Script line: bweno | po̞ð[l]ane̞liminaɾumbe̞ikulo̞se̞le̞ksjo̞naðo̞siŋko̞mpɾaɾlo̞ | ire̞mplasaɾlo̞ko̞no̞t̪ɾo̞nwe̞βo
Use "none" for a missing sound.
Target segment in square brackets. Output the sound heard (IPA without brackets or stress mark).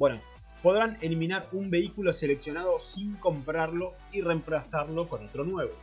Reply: ɾ